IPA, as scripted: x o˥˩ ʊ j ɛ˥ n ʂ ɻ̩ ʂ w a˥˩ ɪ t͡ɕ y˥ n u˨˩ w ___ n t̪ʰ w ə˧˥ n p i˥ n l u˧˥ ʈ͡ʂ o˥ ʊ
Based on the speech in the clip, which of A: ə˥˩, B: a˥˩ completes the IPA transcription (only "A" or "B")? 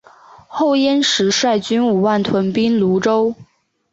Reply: B